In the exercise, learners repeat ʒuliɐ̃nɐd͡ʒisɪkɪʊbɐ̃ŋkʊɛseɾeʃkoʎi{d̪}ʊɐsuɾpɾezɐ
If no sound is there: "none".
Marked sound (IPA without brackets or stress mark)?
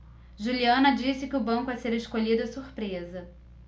d̪